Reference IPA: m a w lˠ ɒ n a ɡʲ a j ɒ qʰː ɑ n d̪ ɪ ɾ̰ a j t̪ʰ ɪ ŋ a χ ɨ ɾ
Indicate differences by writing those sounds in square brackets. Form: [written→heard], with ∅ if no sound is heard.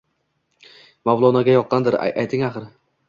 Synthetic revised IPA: m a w lˠ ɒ n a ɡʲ a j ɒ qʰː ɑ n d̪ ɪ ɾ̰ a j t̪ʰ ɪ ŋ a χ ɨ ɾ

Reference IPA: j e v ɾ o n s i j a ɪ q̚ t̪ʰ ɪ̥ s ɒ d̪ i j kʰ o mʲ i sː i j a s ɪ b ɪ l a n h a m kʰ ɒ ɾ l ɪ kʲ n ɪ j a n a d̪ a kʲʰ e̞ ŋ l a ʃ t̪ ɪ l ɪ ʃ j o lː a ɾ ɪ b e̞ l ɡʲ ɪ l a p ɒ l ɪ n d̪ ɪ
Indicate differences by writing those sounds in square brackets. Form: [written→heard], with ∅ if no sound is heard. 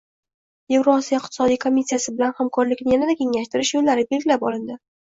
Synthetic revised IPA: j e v ɾ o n s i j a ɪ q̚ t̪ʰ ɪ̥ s ɒ d̪ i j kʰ o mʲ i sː i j a s ɪ b ɪ l a n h a m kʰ ɒ ɾ l ɪ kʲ n ɪ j a n a d̪ a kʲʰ e̞ ŋ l a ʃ t̪ ɪ [l→ɾ] ɪ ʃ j o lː a ɾ ɪ b e̞ l ɡʲ ɪ l a p ɒ l ɪ n d̪ ɪ

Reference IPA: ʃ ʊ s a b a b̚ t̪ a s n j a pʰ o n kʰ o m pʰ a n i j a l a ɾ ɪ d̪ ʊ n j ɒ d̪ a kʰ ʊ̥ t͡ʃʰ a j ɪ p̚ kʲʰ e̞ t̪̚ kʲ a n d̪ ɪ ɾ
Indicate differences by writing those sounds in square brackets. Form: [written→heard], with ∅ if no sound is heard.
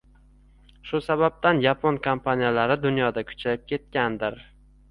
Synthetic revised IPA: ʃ ʊ s a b a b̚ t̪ a [s→∅] n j a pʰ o n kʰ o m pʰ a n i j a l a ɾ ɪ d̪ ʊ n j ɒ d̪ a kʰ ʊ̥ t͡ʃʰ a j ɪ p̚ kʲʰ e̞ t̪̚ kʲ a n d̪ ɪ ɾ

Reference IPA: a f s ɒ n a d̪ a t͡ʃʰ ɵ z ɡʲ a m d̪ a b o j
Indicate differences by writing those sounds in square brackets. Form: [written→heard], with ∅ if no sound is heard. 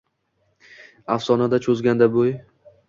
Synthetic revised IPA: a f s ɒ n a d̪ a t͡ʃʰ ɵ z ɡʲ a [m→n] d̪ a b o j

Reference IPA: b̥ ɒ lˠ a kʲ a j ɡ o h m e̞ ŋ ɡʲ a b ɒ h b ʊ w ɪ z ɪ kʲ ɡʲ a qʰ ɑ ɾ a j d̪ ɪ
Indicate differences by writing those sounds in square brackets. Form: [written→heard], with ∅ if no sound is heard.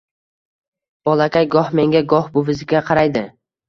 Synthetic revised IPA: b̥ ɒ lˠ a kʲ a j ɡ [o→ɒ] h m e̞ ŋ ɡʲ a [b→ɡ] ɒ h b ʊ [w→v] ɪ z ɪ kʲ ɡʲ a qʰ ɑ ɾ a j d̪ ɪ

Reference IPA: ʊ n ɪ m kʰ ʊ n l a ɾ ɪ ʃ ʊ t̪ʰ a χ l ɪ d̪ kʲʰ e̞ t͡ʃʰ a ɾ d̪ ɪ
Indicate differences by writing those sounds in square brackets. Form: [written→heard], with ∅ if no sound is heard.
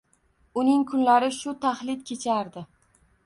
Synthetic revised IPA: ʊ n ɪ [m→ŋ] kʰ ʊ n l a ɾ ɪ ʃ ʊ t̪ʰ a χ l ɪ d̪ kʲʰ e̞ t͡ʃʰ a ɾ d̪ ɪ

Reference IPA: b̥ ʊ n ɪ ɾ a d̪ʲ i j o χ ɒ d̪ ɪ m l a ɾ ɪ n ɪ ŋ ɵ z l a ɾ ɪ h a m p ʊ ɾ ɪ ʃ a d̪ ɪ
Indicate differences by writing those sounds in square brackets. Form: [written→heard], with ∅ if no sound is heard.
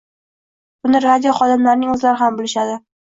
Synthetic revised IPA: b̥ ʊ n ɪ ɾ a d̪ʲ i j o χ ɒ d̪ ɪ m l a ɾ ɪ n ɪ ŋ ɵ z l a ɾ ɪ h a m [p→b] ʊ [ɾ→l] ɪ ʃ a d̪ ɪ

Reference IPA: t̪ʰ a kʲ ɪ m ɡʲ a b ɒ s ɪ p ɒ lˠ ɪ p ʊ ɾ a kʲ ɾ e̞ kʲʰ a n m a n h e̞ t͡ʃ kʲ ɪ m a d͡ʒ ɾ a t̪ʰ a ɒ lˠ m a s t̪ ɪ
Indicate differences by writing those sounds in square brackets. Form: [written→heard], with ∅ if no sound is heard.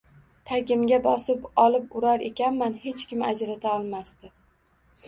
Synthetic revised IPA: t̪ʰ a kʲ ɪ m ɡʲ a b ɒ s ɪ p ɒ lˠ ɪ p ʊ ɾ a [kʲ→∅] ɾ e̞ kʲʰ a n m a n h e̞ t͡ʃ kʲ ɪ m a d͡ʒ ɾ a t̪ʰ a ɒ lˠ m a s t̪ ɪ

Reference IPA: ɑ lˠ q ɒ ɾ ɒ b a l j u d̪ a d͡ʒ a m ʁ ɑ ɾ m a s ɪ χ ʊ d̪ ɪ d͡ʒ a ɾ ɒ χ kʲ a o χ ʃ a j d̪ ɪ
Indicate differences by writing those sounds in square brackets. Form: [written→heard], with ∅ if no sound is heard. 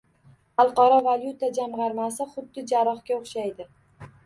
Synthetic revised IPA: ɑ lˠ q ɒ ɾ ɒ [b→v] a l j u [d̪→t̪] a d͡ʒ a m ʁ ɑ ɾ m a s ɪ χ ʊ [d̪→d̪ː] ɪ d͡ʒ a ɾ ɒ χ kʲ a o χ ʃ a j d̪ ɪ

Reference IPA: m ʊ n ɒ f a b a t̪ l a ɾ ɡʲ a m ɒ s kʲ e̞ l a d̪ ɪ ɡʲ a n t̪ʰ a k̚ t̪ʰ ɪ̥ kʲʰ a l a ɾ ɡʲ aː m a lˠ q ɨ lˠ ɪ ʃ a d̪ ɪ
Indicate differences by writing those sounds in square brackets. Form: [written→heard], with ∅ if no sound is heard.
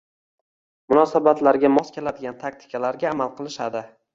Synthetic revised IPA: m ʊ n ɒ [f→s] a b a t̪ l a ɾ ɡʲ a m ɒ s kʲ e̞ l a d̪ ɪ ɡʲ a n t̪ʰ a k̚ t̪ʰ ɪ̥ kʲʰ a l a ɾ ɡʲ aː m a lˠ q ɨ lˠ ɪ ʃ a d̪ ɪ

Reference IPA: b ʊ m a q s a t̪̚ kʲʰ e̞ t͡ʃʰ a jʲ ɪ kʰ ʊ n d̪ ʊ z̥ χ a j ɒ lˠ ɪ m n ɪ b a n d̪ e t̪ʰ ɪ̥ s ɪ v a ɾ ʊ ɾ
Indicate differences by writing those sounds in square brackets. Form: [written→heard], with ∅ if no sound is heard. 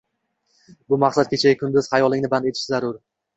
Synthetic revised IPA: b ʊ m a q s a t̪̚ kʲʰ e̞ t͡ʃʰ a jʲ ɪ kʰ ʊ n d̪ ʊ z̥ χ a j ɒ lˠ ɪ [m→ŋ] n ɪ b a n d̪ e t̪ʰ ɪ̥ [s→ʃ] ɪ [v→z] a ɾ ʊ ɾ

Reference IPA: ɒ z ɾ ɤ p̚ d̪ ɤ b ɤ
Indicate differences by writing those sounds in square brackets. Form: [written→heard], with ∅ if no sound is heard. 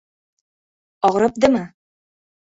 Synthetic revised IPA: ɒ [z→ʁ] ɾ ɤ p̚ d̪ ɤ [b→m] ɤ

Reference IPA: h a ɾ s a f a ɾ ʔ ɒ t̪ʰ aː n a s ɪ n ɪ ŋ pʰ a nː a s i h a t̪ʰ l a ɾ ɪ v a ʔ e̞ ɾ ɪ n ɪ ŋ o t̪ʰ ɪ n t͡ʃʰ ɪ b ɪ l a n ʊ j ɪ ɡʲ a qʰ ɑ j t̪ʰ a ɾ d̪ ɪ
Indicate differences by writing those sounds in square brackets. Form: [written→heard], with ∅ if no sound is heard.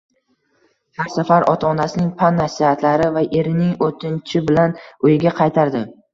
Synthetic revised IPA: h a ɾ s a f a ɾ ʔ ɒ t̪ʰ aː n a s ɪ n ɪ ŋ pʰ a nː a s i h a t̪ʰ l a ɾ ɪ v a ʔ e̞ ɾ ɪ n ɪ ŋ o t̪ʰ ɪ n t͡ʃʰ ɪ b ɪ l a n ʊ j ɪ ɡʲ a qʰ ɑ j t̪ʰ a ɾ d̪ ɪ

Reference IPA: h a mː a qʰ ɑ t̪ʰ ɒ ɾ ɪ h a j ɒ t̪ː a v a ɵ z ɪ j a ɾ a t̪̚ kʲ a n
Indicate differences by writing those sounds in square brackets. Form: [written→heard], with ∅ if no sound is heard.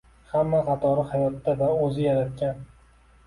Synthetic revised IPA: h a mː a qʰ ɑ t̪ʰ ɒ ɾ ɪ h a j ɒ t̪ː a v a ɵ z ɪ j a ɾ a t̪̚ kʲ a n

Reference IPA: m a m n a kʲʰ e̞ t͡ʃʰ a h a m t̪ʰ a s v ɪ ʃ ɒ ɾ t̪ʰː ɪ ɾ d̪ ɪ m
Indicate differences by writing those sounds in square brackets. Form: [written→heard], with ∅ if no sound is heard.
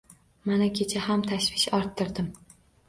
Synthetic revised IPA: m a [m→∅] n a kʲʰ e̞ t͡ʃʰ a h a m t̪ʰ a [s→ʃ] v ɪ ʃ ɒ ɾ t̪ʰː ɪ ɾ d̪ ɪ m

